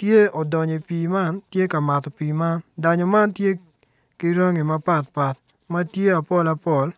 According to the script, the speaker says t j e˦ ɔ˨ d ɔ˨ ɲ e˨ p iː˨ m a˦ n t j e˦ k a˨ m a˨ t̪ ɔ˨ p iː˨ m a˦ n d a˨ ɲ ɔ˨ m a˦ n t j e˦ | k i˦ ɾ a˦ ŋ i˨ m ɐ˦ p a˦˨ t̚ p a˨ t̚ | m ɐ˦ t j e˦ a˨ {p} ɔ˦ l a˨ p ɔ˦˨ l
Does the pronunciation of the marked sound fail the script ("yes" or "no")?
no